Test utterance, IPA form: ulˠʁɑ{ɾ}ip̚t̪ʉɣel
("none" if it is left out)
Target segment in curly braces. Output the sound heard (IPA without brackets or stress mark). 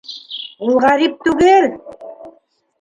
ɾ